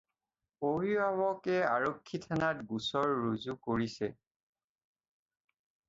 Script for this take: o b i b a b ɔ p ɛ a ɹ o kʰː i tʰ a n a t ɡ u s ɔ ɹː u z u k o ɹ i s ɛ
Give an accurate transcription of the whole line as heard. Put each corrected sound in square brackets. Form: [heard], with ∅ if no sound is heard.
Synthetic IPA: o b i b a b ɔ [k] ɛ a ɹ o kʰː i tʰ a n a t ɡ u s ɔ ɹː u z u k o ɹ i s ɛ